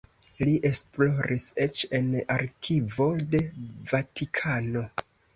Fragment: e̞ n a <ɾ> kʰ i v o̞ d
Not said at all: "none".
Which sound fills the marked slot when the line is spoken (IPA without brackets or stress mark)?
ɾ